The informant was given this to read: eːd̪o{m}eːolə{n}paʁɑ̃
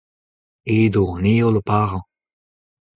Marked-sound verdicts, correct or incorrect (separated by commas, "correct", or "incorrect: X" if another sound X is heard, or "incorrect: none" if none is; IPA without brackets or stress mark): incorrect: n, incorrect: none